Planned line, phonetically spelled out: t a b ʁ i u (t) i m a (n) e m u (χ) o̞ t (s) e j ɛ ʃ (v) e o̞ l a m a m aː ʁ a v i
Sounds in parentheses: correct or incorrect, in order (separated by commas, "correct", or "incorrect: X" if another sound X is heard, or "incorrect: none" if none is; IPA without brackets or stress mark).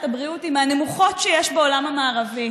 correct, correct, correct, incorrect: ʃ, incorrect: b